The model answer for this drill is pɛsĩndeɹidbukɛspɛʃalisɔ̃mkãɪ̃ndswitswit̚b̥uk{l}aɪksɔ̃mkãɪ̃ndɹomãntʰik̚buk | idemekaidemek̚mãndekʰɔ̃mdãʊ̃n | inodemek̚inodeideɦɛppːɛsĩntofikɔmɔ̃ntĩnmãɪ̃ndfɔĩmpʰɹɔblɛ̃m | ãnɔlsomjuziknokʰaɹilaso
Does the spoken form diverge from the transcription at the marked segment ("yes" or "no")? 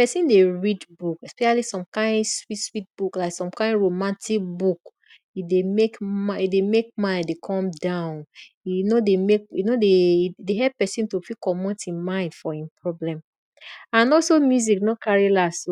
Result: no